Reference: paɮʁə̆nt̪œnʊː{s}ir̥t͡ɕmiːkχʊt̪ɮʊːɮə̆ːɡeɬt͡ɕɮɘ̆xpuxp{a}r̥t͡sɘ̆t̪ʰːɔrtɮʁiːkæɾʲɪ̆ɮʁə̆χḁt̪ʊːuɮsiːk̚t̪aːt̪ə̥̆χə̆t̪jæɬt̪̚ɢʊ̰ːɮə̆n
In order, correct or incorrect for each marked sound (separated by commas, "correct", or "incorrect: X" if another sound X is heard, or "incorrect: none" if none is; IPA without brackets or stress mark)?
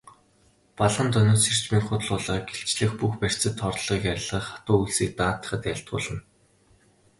correct, incorrect: æ